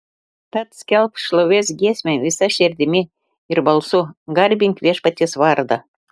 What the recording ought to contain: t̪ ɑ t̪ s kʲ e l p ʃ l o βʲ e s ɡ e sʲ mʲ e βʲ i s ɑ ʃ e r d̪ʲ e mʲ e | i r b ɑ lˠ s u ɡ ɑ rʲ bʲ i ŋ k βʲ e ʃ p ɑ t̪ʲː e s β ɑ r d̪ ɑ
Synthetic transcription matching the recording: t̪ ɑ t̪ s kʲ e l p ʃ l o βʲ e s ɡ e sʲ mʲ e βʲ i s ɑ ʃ e r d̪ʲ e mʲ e | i r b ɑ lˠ s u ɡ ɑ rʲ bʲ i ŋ k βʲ e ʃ p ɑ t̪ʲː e s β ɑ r d̪ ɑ